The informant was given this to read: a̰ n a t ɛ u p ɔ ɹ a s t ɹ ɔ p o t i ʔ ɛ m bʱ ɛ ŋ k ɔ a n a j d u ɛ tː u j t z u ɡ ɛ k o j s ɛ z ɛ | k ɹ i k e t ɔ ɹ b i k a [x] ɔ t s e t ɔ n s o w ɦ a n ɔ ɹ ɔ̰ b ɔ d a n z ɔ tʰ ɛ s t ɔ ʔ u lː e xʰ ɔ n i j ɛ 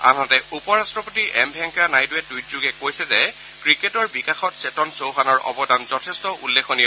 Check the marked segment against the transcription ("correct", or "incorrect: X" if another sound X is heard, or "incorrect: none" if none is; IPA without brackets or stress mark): correct